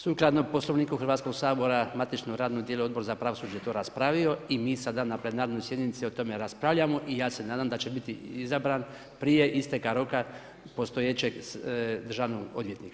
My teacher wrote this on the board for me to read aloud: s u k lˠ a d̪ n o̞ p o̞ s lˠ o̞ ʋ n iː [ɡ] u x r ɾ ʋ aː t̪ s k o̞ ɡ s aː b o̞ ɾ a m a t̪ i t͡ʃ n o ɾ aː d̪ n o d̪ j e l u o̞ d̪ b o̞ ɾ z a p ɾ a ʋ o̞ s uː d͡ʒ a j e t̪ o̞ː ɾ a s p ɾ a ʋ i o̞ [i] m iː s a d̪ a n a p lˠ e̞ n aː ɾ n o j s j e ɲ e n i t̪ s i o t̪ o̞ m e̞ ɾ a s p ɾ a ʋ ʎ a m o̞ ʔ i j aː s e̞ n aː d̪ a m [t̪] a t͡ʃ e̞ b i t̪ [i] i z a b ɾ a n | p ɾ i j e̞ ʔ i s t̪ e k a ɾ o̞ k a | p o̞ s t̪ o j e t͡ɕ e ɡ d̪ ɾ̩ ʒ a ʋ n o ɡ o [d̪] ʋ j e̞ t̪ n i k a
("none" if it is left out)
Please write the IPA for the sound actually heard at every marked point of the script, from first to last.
k, i, d̪, i, d̪

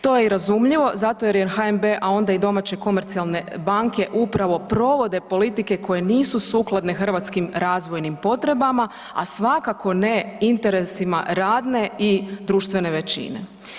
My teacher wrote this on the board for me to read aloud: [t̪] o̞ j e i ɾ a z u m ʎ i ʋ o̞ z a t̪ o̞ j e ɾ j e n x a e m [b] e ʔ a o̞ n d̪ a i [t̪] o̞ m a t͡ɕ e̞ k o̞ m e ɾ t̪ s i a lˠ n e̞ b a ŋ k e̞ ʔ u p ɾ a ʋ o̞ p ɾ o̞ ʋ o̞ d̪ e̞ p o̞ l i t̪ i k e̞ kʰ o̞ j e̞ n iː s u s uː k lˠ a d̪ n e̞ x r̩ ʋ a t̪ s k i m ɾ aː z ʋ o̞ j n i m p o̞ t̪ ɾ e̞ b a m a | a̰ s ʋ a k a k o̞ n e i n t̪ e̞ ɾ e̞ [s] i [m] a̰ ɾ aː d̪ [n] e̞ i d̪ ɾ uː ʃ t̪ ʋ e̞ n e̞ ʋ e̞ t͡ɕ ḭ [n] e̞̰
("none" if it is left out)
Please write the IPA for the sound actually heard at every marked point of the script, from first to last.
t̪, b, d̪, s, m, n, n

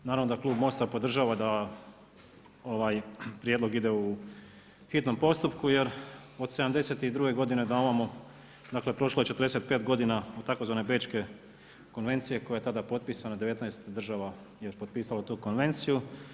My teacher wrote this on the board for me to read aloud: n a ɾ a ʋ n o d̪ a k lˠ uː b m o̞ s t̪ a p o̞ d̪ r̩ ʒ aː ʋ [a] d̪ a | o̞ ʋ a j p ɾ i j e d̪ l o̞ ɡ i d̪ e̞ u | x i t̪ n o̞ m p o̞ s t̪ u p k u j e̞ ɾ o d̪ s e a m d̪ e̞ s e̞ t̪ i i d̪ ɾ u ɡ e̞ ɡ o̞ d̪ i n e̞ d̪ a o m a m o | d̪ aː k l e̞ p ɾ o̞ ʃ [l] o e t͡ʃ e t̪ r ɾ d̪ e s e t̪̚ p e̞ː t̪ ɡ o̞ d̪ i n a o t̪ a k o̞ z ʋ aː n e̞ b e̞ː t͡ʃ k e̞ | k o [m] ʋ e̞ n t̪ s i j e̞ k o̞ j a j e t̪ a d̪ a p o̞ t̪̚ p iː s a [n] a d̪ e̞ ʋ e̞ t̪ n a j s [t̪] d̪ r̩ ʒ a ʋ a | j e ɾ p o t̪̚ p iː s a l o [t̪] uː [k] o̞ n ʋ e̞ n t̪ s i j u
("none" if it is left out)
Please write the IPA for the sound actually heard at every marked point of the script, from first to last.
a, l, n, n, t̪, t̪, k

